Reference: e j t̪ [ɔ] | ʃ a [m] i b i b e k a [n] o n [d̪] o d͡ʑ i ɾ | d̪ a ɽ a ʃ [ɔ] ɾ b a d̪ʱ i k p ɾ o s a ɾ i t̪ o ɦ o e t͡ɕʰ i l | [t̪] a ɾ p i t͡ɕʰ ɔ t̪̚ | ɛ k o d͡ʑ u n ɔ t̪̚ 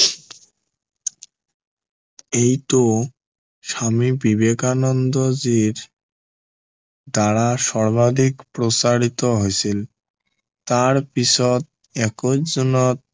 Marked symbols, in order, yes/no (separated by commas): no, yes, yes, yes, yes, yes